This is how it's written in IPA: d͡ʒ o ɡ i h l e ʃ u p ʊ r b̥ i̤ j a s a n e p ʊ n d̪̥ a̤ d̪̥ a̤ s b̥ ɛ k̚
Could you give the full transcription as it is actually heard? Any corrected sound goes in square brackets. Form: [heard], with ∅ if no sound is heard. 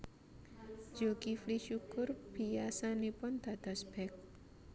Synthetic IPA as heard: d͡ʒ o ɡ i [f] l [i] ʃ u [k] ʊ r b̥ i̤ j a s a n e p ʊ n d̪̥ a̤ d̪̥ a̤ s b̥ ɛ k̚

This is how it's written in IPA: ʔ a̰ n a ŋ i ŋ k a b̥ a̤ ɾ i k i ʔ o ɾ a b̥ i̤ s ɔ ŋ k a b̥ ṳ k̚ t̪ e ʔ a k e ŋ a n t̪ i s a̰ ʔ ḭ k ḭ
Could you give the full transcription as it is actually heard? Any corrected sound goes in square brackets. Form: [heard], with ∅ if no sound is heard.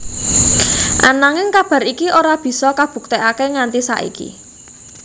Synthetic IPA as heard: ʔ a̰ n a ŋ [ɪ] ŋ k a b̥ a̤ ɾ i k i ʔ o ɾ a b̥ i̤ s ɔ [∅] k a b̥ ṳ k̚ t̪ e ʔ a k e ŋ a n t̪ i s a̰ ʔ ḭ k ḭ

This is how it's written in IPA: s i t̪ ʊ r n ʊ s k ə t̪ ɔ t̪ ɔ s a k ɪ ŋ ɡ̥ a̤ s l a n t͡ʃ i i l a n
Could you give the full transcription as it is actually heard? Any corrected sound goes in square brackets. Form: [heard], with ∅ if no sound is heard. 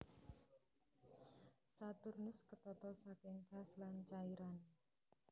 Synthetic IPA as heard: s [a] t̪ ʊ r n ʊ s k ə t̪ ɔ t̪ ɔ s a k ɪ ŋ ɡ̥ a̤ s l a n t͡ʃ [a] i [ɾ] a n

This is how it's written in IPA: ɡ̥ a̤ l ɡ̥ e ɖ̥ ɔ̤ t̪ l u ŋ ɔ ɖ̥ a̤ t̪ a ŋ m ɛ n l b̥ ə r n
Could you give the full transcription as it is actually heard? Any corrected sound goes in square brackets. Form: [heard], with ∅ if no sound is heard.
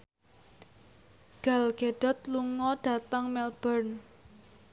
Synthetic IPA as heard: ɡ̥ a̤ l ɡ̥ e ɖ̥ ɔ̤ t̪ l u ŋ ɔ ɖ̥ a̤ t̪ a ŋ m ɛ [∅] l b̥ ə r n

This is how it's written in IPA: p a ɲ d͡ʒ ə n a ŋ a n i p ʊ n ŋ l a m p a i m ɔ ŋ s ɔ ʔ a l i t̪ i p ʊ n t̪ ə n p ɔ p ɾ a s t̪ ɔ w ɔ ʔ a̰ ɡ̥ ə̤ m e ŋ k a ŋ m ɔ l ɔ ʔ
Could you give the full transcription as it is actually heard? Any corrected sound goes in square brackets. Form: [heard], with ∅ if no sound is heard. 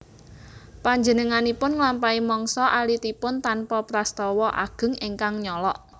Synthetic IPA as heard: p a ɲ d͡ʒ ə n [ə] ŋ a n i p ʊ n ŋ l a m p a i m ɔ ŋ s ɔ ʔ a l i t̪ i p ʊ n t̪ [a] n p ɔ p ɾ a s t̪ ɔ w ɔ ʔ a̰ ɡ̥ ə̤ [ŋ] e ŋ k a ŋ [ɲ] ɔ l ɔ ʔ

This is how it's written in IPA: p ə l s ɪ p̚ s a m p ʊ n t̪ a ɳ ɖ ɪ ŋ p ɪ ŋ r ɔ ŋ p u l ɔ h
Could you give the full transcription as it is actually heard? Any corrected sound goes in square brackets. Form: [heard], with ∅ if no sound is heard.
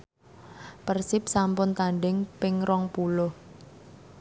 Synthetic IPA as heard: p ə [r] s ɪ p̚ s a m p ʊ n t̪ a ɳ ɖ ɪ ŋ p ɪ ŋ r ɔ ŋ p u l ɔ h

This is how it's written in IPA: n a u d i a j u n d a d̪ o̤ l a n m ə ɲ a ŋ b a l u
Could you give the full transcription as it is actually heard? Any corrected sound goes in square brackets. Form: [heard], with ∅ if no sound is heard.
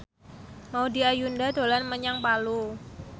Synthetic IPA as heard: [m] a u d i a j u n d a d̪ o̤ l a n m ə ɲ a ŋ [p] a l u

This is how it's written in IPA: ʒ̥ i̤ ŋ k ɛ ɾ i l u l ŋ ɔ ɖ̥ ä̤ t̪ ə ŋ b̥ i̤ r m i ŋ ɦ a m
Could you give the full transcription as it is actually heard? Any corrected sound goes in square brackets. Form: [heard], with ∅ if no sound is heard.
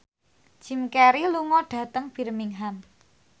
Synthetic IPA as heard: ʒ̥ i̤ [m] k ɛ ɾ i l u [∅] ŋ ɔ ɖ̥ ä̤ t̪ ə ŋ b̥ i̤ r m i ŋ ɦ a m

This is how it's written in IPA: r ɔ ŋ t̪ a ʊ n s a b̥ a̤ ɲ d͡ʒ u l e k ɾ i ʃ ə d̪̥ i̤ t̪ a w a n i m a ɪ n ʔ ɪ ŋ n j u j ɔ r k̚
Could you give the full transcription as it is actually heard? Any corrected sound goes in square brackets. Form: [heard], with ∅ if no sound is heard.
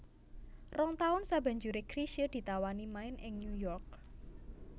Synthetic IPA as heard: r ɔ ŋ t̪ a ʊ n s a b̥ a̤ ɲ d͡ʒ u [ɾ] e k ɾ i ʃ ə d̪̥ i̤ t̪ a w a n i m a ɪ n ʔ ɪ ŋ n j u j ɔ r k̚

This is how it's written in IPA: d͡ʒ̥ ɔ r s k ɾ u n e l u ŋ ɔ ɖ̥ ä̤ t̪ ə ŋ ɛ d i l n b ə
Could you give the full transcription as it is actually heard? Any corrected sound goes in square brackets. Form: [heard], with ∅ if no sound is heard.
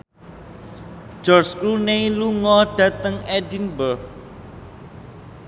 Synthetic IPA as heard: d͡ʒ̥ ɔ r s k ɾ u n e l u ŋ ɔ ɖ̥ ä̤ t̪ ə ŋ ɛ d i [∅] n b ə

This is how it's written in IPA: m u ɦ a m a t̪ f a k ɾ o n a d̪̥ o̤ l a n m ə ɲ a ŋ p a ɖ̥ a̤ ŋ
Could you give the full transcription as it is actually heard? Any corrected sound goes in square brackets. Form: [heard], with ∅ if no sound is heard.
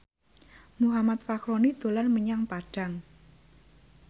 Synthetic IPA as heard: m u ɦ a m a t̪ f a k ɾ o n [i] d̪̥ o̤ l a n m ə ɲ a ŋ p a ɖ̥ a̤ ŋ

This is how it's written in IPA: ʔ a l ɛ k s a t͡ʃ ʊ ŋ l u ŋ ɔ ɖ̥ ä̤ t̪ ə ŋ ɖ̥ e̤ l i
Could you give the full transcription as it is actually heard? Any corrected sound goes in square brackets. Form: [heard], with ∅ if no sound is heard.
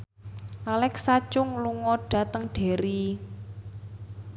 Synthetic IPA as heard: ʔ a l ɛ k s a t͡ʃ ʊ ŋ l u ŋ ɔ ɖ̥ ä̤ t̪ ə ŋ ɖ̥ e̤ [ɾ] i

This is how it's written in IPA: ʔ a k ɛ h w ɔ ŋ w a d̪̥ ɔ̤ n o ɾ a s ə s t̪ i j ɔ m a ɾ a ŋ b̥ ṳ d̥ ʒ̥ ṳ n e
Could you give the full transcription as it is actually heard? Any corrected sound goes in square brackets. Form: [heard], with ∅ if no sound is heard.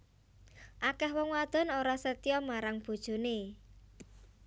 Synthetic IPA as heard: ʔ a k ɛ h w ɔ ŋ w a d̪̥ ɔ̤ n o ɾ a s ə [∅] t̪ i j ɔ m a ɾ a ŋ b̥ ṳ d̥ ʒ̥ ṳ n e

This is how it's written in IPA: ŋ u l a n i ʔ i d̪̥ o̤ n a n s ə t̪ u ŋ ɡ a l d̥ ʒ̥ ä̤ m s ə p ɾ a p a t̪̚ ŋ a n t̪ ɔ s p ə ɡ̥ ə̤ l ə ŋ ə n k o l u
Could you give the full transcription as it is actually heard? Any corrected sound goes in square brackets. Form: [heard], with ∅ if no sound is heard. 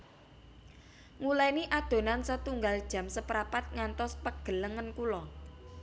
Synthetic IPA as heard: ŋ u l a n i ʔ [a] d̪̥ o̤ n a n s ə t̪ u ŋ ɡ a l d̥ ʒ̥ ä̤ m s ə p ɾ a p a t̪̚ ŋ a n t̪ ɔ s p ə ɡ̥ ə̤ l ə ŋ ə n k [u] l [ɔ]

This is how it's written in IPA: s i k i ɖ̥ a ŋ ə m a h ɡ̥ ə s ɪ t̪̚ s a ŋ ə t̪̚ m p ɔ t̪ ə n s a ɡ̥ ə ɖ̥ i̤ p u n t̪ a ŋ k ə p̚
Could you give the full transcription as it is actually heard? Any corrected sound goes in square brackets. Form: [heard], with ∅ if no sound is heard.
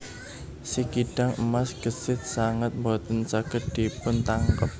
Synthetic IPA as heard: s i k i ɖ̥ a ŋ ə m a [s] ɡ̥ ə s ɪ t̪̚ s a ŋ ə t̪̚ m [b] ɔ t̪ ə n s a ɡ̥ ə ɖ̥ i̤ p [ʊ] n t̪ a ŋ k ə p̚

